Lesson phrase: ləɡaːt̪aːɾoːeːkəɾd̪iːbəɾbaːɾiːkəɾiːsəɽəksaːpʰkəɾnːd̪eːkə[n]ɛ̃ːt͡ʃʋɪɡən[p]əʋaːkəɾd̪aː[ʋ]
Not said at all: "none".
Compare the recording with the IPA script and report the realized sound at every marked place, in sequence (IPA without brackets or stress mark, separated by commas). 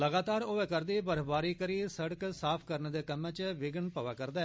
m, p, none